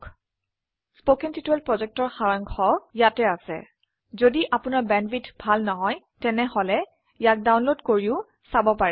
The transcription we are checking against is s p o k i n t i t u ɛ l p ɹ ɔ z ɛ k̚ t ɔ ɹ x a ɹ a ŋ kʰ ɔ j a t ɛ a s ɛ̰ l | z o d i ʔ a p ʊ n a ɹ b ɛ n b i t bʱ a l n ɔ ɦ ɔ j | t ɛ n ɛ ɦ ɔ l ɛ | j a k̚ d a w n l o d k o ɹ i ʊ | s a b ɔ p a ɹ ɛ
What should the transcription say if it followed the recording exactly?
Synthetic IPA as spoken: s p o k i n t i t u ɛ l p ɹ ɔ z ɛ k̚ t ɔ ɹ x a ɹ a ŋ kʰ ɔ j a t ɛ a s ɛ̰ | z o d i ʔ a p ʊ n a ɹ b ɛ n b i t bʱ a l n ɔ ɦ ɔ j | t ɛ n ɛ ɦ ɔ l ɛ | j a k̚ d a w n l o d k o ɹ i ʊ | s a b ɔ p a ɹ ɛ